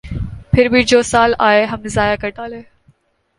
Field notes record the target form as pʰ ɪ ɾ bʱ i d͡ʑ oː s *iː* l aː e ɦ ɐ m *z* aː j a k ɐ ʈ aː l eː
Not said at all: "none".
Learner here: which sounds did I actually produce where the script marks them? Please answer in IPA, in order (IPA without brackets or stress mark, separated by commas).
aː, z